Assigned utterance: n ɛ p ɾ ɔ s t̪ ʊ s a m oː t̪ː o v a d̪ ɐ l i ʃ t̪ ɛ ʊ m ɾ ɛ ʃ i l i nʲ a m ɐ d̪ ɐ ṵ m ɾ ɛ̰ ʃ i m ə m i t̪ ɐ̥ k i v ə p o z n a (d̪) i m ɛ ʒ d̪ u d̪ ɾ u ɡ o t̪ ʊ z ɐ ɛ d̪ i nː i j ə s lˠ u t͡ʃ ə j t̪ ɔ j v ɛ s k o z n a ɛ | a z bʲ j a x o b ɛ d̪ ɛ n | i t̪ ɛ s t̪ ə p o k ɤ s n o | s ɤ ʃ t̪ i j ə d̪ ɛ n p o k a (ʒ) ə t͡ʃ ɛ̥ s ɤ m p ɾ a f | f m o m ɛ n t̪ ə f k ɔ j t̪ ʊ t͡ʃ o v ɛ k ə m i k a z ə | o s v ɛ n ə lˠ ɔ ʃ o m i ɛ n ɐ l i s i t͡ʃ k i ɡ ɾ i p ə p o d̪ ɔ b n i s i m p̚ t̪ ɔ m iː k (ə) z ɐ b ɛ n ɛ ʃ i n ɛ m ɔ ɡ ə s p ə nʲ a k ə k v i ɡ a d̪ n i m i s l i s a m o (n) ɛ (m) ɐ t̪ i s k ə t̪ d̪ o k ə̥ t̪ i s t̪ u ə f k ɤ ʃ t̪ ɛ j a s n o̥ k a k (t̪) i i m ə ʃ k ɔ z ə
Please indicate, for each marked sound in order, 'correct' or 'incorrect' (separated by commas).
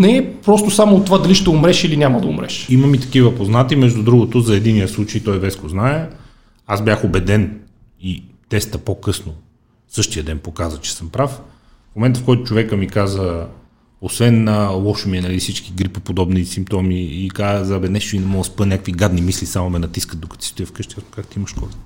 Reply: incorrect, incorrect, incorrect, incorrect, incorrect, correct